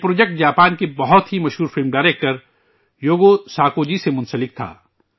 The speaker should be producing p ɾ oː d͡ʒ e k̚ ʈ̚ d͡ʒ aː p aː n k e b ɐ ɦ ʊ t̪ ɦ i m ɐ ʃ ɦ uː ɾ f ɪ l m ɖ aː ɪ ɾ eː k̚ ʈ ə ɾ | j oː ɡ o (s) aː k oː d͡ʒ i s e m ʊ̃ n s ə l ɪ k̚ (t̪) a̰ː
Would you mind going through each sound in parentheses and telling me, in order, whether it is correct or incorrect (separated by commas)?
correct, incorrect